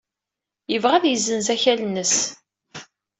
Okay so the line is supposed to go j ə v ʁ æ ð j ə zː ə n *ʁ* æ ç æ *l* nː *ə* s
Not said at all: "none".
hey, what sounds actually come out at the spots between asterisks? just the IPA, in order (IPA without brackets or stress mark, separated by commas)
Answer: z, l, ə